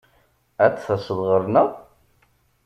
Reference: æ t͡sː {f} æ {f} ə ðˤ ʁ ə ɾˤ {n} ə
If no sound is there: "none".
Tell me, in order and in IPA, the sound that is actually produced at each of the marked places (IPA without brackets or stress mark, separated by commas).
θ, s, n